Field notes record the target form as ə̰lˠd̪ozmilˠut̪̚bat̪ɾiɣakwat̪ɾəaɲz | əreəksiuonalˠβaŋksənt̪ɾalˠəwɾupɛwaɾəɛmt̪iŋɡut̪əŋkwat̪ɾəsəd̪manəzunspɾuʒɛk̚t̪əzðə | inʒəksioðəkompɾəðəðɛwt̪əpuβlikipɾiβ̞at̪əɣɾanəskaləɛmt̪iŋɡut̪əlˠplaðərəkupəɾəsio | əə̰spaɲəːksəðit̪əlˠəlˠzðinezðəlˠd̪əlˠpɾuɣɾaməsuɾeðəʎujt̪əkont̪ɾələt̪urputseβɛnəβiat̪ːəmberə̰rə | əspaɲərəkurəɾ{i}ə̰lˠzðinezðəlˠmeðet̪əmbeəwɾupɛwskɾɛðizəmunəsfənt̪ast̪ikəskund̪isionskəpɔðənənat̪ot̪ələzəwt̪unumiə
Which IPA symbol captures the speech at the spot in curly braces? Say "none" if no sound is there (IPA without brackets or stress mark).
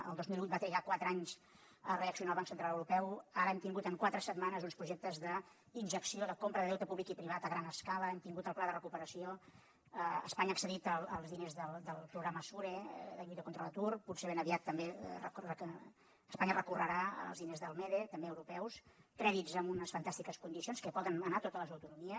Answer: a